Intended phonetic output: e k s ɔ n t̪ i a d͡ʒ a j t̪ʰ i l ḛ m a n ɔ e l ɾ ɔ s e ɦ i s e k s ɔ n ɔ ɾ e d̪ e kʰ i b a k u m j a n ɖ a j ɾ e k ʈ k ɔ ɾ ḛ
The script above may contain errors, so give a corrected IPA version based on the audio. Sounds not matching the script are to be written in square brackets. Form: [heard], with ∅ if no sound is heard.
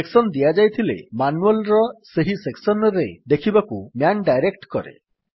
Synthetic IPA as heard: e k s ɔ n [d̪] i a d͡ʒ a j t̪ʰ i l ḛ m a n [u] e l ɾ ɔ s e ɦ i s e k s ɔ n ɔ ɾ e d̪ e kʰ i b a k u m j a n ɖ a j ɾ e k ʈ k ɔ ɾ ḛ